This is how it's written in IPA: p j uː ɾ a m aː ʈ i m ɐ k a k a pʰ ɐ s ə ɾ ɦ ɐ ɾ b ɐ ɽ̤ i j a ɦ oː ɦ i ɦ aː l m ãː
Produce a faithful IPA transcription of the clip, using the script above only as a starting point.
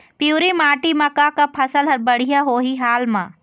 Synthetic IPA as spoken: p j uː ɾ i m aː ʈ i m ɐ k a k a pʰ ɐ s ə l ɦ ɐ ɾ b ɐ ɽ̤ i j a ɦ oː ɦ i ɦ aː l m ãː